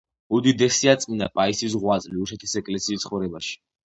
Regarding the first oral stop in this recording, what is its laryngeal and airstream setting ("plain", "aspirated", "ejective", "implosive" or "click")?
plain